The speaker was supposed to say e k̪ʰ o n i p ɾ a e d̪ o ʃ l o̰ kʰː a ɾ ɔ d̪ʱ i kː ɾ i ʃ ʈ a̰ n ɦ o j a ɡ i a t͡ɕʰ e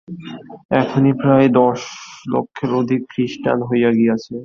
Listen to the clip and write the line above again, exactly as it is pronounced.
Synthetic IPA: ɛ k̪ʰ o n i p ɾ a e d̪ ɔ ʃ l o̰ kʰː e ɾ o d̪ʱ i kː ɾ i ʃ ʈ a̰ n ɦ o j a ɡ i a t͡ɕʰ e